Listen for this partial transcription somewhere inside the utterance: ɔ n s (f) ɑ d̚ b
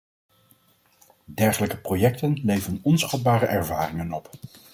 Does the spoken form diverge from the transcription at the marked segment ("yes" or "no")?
yes